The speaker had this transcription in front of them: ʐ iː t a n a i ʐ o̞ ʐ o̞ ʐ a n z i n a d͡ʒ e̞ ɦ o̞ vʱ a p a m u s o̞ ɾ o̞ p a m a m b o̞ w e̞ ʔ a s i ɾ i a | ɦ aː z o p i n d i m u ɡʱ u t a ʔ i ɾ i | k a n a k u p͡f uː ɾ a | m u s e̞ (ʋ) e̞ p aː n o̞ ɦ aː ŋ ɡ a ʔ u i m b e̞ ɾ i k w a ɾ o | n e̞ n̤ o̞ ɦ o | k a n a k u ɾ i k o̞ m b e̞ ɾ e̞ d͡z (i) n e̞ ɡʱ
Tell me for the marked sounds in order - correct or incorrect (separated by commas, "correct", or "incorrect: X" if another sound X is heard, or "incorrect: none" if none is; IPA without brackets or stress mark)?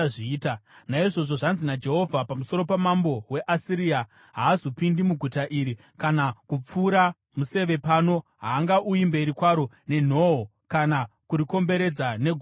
correct, incorrect: a